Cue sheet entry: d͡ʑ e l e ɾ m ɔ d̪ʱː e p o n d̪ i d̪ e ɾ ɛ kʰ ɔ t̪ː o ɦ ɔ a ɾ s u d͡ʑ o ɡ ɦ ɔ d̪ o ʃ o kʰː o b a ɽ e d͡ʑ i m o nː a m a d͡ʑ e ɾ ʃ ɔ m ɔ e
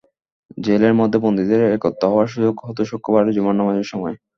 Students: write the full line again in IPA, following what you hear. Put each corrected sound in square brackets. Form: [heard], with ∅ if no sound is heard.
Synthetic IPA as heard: d͡ʑ e l e ɾ m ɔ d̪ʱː e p o n d̪ i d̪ e ɾ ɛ [k] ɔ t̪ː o ɦ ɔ a ɾ [ʃ] u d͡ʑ o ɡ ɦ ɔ [t̪] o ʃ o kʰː o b a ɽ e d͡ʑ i m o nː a m a d͡ʑ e ɾ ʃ ɔ m ɔ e